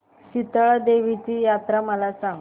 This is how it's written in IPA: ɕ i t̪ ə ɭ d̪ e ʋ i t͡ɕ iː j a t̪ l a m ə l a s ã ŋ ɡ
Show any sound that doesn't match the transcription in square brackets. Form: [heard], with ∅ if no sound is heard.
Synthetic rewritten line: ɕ i t̪ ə ɭ d̪ e ʋ i t͡ɕ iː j a t̪ [ɾ] a m ə l a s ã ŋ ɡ